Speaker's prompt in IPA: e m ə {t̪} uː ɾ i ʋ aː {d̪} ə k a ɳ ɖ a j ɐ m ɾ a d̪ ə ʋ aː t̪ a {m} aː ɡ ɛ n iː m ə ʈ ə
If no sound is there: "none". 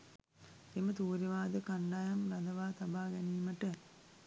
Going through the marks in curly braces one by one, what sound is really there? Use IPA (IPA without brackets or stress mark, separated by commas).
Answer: t̪, d̪, b